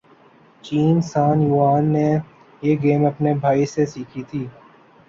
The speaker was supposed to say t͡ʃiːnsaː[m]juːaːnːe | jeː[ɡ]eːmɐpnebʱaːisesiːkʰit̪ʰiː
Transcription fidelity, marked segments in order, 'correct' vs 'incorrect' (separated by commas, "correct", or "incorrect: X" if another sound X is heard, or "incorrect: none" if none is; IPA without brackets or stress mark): incorrect: n, correct